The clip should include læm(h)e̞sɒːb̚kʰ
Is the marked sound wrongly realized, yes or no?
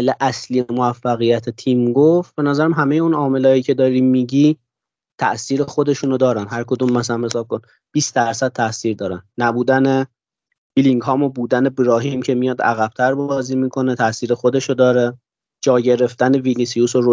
no